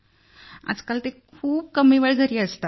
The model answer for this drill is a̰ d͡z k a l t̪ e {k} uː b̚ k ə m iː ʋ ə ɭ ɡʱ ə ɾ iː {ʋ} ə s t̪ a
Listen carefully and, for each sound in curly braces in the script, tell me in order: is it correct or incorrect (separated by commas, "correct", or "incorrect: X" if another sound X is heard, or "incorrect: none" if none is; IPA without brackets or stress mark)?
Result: incorrect: kʰ, incorrect: none